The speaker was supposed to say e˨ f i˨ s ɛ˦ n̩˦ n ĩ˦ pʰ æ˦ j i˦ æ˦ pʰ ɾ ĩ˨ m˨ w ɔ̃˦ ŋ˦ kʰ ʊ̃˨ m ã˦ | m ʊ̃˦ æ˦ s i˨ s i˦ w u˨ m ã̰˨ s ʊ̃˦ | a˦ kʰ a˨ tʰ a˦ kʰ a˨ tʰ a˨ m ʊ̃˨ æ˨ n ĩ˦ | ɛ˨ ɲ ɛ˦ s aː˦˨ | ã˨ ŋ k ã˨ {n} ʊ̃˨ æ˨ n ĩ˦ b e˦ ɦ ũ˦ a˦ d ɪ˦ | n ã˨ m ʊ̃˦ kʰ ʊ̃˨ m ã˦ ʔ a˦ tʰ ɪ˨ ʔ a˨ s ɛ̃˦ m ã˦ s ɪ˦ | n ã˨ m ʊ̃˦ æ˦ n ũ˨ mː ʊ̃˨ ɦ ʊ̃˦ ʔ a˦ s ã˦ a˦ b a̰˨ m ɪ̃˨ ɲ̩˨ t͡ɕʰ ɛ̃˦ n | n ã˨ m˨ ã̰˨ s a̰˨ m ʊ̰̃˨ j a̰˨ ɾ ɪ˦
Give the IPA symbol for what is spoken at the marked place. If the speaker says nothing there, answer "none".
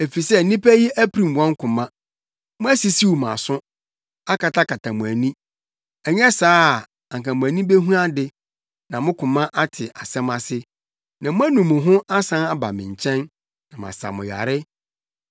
m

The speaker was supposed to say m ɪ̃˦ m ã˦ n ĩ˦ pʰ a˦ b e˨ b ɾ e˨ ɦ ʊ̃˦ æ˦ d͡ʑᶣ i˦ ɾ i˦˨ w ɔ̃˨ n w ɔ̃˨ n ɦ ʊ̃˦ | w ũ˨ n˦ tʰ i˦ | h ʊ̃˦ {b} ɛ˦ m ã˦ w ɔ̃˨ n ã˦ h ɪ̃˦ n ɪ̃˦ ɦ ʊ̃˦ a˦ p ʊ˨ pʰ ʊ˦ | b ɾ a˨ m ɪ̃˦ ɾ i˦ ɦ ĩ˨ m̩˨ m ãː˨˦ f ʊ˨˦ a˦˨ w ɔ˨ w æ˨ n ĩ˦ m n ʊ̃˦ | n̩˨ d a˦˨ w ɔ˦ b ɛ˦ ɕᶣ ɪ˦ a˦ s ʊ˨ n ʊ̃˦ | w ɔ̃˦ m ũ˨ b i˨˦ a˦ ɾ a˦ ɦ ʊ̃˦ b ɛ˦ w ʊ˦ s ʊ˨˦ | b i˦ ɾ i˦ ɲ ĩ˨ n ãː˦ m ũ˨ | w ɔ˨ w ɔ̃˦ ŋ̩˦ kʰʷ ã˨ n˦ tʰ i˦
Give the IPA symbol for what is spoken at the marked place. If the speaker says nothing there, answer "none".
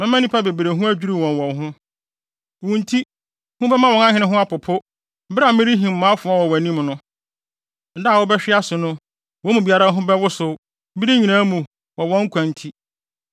b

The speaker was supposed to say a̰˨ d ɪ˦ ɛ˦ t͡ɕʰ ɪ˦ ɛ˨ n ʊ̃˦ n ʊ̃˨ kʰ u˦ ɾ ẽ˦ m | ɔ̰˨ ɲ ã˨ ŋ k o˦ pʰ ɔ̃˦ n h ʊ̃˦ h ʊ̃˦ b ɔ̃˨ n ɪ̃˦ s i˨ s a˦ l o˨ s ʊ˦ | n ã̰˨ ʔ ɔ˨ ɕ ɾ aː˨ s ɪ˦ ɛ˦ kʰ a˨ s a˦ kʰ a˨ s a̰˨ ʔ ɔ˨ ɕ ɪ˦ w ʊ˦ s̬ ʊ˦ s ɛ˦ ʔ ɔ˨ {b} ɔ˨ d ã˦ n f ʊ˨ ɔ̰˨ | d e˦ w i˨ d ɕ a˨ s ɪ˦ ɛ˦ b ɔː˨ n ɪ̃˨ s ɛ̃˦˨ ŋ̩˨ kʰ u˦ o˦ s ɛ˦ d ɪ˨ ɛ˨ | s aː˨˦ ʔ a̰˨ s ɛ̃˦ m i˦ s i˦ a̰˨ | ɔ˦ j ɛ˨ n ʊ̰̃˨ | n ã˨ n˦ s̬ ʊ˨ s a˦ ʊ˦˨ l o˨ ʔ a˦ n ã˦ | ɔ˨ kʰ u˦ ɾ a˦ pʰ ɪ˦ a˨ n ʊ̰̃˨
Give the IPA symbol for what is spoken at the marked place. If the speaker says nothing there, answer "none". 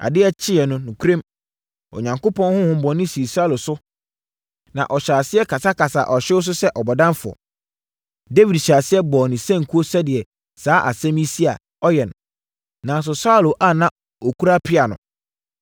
b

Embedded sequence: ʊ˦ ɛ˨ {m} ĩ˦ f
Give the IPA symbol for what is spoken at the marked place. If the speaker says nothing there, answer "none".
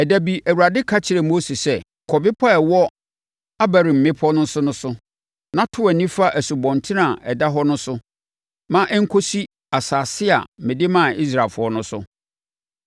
n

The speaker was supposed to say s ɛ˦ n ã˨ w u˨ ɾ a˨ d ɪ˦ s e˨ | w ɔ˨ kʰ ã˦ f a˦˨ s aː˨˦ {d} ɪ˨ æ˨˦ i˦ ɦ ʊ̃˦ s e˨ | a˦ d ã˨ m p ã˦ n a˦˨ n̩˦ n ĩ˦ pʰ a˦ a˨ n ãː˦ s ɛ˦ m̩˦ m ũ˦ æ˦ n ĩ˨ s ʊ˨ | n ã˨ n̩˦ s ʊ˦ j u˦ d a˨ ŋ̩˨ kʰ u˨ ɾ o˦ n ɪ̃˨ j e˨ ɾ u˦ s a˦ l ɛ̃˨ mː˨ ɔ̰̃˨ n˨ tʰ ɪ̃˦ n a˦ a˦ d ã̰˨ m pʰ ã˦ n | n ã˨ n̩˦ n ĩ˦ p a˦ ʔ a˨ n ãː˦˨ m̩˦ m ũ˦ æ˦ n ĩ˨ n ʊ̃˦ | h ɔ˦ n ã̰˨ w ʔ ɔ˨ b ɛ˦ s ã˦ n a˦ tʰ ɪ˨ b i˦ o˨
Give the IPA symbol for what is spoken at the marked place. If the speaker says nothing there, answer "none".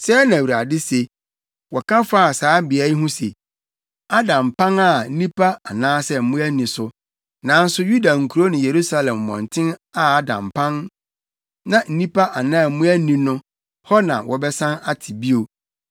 b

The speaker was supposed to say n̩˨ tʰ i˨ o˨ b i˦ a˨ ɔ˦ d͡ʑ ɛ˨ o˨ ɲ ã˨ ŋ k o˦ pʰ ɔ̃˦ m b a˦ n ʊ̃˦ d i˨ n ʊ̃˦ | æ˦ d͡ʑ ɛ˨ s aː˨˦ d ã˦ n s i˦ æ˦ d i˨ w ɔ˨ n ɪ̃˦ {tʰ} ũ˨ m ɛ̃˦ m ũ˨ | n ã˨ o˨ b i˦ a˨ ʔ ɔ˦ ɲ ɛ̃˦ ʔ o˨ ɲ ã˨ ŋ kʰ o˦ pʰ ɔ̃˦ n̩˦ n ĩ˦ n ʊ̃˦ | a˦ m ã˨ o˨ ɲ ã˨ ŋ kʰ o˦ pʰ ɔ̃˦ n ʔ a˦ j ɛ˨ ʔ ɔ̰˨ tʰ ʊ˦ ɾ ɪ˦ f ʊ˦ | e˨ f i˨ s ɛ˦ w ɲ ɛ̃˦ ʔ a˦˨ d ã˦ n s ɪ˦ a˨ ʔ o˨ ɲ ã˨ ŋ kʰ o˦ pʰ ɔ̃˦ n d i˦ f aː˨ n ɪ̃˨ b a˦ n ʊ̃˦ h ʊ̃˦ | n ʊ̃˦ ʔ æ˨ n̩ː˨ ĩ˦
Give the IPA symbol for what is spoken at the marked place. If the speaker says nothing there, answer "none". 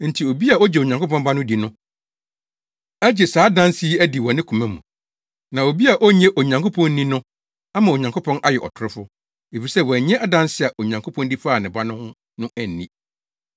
kʰ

